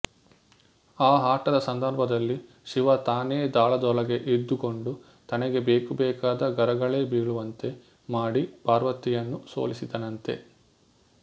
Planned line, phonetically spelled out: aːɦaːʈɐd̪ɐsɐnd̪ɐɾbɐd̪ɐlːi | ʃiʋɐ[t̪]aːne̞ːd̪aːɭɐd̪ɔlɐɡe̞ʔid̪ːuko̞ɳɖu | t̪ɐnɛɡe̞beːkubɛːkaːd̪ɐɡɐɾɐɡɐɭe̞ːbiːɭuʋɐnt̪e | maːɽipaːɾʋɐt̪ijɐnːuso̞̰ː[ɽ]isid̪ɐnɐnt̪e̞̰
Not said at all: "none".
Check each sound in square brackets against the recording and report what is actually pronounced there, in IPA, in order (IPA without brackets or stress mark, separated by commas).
t̪, l